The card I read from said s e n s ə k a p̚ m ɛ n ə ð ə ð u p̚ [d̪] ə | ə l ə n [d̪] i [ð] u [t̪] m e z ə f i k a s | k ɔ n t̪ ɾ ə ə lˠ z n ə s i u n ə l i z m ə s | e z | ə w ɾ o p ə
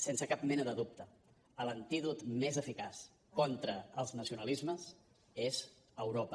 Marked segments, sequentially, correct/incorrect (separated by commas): incorrect, incorrect, correct, correct